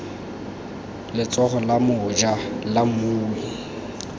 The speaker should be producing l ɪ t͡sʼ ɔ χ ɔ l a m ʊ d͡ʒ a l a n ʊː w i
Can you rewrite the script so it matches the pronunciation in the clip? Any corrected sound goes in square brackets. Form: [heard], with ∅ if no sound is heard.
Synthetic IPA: l ɪ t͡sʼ ɔ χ ɔ l a m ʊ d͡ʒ a l a [m] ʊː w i